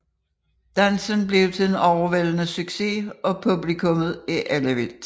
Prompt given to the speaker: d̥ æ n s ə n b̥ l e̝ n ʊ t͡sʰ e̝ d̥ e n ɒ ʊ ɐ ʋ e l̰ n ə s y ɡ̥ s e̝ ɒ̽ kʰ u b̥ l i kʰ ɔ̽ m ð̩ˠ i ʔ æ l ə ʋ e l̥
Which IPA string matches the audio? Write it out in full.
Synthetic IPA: d̥ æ n s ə n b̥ l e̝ ʊ t͡sʰ e̝ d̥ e n ɒ ʊ ɐ ʋ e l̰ n ə s y ɡ̥ s e̝ ɒ̽ pʰ u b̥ l i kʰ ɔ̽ m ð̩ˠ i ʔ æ l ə ʋ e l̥

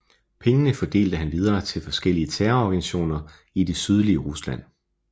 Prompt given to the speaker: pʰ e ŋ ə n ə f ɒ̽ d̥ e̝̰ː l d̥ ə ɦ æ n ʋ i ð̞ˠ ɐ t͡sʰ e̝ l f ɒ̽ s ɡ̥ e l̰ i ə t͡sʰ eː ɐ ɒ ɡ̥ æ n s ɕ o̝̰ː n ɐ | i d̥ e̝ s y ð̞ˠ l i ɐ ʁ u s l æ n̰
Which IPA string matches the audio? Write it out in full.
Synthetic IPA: pʰ e ŋ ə n ə f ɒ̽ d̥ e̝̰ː l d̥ ə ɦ æ n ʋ i ð̞ˠ ɐː t͡sʰ e̝ l f ɒ̽ s ɡ̥ e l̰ i ə t͡sʰ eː ɐ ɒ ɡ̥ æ n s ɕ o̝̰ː n ɐ | i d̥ e̝ s y ð̞ˠ l i ə ʁ u s l æ n̰

